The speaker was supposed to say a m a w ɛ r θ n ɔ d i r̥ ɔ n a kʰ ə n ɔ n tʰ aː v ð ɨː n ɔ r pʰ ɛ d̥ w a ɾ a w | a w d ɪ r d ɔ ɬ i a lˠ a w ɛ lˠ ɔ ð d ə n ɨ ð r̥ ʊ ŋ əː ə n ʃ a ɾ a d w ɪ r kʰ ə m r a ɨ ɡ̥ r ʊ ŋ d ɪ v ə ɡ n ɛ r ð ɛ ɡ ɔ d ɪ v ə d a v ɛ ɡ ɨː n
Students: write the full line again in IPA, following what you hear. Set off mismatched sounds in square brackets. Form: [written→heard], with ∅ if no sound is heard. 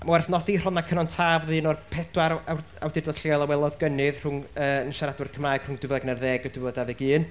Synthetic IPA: a m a w ɛ r θ n ɔ d i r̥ ɔ n a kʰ ə n ɔ n tʰ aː v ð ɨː n ɔ r pʰ ɛ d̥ w a ɾ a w | a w d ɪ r d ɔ ɬ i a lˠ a w ɛ lˠ ɔ ð [d→ɡ] ə n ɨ ð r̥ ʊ ŋ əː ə n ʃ a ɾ a d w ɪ r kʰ ə m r a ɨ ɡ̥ r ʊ ŋ d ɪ v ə ɡ n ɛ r ð ɛ ɡ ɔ d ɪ v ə d a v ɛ ɡ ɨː n